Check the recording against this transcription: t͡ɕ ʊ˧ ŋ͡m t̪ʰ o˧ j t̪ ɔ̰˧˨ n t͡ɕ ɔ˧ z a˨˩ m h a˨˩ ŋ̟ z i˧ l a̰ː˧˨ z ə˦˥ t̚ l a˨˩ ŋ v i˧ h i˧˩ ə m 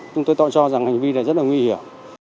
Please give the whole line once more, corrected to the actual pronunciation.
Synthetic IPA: t͡ɕ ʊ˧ ŋ͡m t̪ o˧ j t̪ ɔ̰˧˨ n t͡ɕ ɔ˧ z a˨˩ ŋ h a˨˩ ŋ̟ v i˧ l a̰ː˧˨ z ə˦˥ t̚ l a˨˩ ŋ w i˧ h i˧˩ ə m